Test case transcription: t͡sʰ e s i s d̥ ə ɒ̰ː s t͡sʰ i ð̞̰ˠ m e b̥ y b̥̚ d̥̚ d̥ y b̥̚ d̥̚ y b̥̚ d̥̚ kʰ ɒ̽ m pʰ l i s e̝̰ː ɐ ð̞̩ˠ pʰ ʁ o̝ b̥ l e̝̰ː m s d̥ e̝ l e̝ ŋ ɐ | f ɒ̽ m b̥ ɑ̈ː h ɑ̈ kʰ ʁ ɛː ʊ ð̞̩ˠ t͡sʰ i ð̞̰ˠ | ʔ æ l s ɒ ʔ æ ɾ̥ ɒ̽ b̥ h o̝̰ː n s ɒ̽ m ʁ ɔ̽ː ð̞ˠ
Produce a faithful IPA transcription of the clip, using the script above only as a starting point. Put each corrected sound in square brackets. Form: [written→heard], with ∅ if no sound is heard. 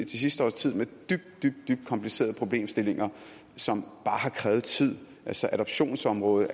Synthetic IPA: t͡sʰ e s i s d̥ ə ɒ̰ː s t͡sʰ i ð̞̰ˠ m e [b̥→d̥] y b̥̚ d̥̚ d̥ y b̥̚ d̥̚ y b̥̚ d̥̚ kʰ ɒ̽ m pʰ l i s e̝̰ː ɐ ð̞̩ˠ pʰ ʁ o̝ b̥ l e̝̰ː m s d̥ e̝ l e̝ ŋ ɐ | [f→s] ɒ̽ m b̥ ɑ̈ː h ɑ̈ kʰ ʁ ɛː ʊ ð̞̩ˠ t͡sʰ i ð̞̰ˠ | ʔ æ l s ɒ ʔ æ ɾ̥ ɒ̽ b̥ [h→ɕ] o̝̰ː n s ɒ̽ m ʁ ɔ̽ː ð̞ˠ